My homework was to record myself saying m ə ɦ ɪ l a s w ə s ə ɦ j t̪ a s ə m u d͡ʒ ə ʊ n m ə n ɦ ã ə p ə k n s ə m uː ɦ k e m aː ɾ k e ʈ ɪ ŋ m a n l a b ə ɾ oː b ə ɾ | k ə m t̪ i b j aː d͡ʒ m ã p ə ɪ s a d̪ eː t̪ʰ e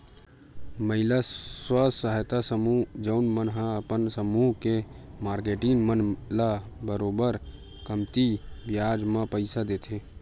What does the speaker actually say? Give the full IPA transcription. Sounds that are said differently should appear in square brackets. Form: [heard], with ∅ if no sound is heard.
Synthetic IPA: m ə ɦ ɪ l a s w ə s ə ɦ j t̪ a s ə m u d͡ʒ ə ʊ n m ə n ɦ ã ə p ə [∅] n s ə m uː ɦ k e m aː ɾ k e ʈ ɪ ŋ m [ə] n l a b ə ɾ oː b ə ɾ | k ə m t̪ i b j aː d͡ʒ m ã p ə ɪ s a d̪ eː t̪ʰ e